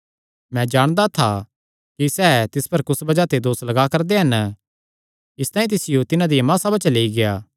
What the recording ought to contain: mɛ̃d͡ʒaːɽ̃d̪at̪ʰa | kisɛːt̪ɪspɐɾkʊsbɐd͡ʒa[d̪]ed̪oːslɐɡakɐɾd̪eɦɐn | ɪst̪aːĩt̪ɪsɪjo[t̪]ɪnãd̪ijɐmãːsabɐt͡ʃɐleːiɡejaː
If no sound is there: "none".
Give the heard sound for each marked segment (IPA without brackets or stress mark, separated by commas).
t̪, t̪